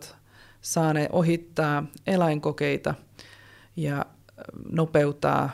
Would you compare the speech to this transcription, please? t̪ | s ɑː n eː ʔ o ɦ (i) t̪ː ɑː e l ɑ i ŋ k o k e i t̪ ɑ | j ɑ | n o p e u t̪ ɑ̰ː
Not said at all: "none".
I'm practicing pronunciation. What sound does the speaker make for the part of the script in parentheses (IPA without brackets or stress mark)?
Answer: i